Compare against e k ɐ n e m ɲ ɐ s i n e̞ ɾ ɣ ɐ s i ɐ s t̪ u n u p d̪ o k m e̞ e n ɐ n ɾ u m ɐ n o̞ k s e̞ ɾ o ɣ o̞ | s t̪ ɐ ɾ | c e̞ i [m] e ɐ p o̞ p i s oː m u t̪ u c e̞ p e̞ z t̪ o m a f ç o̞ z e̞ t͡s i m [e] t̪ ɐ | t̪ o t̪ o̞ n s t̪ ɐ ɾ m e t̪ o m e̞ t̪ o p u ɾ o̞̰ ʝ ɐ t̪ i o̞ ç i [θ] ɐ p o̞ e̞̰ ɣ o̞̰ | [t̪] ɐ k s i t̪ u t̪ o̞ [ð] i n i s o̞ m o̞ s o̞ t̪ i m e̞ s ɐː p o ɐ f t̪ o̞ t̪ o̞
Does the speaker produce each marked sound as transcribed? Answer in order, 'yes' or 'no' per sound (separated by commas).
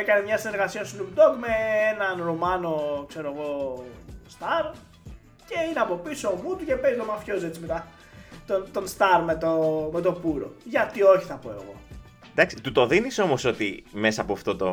no, yes, yes, no, yes